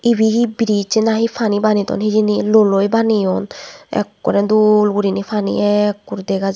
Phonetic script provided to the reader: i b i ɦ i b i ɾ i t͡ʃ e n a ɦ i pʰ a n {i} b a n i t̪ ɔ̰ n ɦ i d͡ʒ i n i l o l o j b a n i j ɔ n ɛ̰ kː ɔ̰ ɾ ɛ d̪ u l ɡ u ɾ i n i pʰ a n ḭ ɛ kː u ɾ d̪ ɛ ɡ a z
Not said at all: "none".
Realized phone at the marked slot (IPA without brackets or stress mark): i